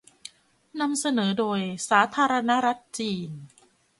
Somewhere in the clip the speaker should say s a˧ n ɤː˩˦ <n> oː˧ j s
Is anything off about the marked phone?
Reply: yes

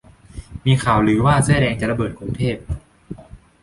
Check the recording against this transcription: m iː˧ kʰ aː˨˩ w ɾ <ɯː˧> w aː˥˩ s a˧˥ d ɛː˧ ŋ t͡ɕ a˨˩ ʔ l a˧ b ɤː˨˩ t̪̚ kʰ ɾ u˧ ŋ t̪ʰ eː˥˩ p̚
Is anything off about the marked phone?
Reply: yes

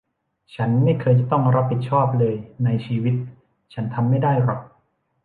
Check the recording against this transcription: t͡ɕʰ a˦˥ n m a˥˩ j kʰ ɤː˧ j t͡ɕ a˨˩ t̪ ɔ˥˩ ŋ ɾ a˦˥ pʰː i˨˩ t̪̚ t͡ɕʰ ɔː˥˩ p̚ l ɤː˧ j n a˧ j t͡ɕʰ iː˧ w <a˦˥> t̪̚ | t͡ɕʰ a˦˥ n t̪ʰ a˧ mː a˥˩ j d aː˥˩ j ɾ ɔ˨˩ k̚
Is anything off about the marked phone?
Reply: yes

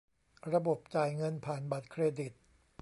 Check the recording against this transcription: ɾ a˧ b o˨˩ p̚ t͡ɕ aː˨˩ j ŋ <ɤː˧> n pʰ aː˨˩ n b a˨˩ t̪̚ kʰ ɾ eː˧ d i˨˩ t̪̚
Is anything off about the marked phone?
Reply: yes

